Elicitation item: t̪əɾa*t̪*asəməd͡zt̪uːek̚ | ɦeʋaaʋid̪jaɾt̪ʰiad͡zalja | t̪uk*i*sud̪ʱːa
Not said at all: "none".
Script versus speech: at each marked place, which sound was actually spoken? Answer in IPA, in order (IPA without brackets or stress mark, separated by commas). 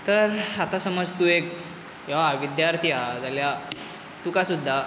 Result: t̪, a